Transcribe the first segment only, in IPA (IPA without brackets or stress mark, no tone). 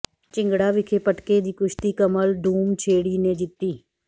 t͡ʃ